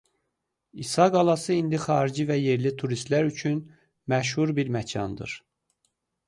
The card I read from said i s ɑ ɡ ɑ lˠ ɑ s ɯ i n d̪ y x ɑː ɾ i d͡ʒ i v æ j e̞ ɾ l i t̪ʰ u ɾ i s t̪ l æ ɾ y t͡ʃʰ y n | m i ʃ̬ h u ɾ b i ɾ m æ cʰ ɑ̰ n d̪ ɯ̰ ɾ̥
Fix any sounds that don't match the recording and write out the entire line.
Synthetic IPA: i s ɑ ɡ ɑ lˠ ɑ s ɯ i n d̪ i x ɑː ɾ i d͡ʒ i v æ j e̞ ɾ l i t̪ʰ u ɾ i s t̪ l æ ɾ y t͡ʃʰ y n | m æ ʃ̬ h u ɾ b i ɾ m æ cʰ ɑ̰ n d̪ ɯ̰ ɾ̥